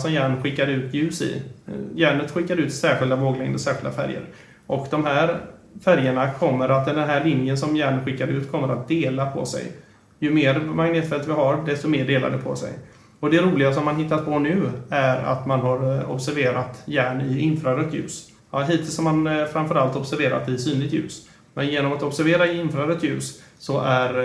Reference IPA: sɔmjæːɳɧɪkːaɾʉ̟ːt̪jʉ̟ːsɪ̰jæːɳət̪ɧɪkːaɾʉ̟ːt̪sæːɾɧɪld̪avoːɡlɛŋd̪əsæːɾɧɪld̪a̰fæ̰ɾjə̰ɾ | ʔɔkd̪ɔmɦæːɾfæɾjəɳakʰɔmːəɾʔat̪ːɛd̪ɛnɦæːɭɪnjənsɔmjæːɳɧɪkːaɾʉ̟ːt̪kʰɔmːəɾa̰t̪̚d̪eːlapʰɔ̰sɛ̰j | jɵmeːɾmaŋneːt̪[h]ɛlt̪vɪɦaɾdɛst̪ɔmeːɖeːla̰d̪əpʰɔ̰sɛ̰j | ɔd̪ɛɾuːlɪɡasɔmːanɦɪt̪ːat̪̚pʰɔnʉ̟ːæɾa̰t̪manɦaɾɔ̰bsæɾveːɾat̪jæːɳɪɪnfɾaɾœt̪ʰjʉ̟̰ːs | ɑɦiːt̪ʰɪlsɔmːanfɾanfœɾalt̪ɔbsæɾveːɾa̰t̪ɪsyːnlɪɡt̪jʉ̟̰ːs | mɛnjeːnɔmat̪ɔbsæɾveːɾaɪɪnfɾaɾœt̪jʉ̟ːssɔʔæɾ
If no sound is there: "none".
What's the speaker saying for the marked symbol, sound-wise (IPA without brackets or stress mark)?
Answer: f